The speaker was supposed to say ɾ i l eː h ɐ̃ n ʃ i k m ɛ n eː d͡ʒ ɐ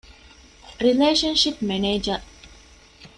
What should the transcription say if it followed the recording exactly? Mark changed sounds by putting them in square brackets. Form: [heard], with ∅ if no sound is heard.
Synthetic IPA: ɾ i l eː [ʃ] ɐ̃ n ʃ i [p] m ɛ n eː d͡ʒ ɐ